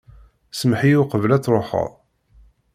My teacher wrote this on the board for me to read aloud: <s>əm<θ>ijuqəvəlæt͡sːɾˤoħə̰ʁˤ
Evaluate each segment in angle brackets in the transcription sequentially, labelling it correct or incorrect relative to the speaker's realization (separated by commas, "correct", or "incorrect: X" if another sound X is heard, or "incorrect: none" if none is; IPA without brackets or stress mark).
correct, incorrect: ħ